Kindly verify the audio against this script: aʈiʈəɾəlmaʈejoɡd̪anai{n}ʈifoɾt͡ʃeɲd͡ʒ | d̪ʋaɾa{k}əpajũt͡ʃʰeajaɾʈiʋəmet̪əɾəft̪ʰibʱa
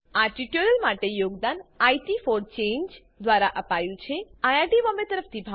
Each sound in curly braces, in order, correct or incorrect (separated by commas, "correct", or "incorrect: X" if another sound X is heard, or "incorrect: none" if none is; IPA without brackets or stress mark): incorrect: none, incorrect: ʔ